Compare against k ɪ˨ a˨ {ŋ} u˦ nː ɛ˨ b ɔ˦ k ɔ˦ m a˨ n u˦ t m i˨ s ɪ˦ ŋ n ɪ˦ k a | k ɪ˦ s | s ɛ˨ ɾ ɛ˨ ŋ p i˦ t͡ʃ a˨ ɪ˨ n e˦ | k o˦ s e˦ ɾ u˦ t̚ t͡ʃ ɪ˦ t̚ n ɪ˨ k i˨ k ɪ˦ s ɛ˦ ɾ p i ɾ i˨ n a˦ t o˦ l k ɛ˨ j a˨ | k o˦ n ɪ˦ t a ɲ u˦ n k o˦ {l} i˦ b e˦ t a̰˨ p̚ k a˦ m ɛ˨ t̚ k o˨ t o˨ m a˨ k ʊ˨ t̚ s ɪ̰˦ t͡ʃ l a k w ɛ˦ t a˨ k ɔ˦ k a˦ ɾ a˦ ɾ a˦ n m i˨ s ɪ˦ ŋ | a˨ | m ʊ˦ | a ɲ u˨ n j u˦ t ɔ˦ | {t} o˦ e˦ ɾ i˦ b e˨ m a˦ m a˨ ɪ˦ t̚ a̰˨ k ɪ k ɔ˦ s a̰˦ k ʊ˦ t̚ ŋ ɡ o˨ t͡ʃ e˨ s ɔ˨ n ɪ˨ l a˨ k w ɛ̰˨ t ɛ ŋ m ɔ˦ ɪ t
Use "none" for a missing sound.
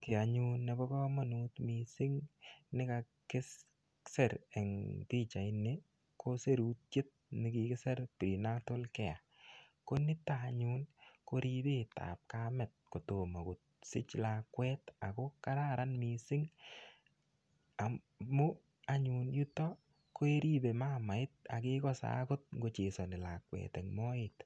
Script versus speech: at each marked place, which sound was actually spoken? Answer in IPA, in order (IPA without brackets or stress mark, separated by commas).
ɲ, ɾ, k